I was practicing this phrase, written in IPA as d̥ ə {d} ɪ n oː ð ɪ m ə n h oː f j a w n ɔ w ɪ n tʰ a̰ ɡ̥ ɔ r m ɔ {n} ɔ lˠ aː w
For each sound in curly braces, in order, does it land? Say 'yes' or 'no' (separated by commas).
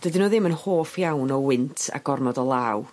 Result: yes, no